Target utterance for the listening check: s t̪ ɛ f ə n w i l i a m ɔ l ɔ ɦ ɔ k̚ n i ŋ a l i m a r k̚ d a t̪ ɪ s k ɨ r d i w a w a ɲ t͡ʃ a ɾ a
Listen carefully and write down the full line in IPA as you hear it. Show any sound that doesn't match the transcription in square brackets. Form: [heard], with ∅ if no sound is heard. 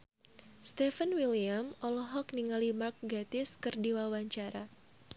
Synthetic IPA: s t̪ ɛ f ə n w i l i a m ɔ l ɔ ɦ ɔ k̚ n i ŋ a l i m a r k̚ [ɡ] a t̪ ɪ s k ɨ r d i w a w a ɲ t͡ʃ a ɾ a